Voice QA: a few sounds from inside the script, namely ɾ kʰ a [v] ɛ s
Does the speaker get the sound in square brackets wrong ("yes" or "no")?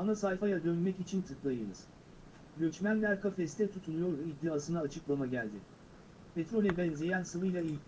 yes